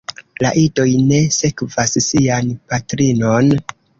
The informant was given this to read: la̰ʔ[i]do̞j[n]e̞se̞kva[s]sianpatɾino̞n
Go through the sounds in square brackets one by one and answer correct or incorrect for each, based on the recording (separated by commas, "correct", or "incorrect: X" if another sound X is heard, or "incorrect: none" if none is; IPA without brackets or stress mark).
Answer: correct, correct, correct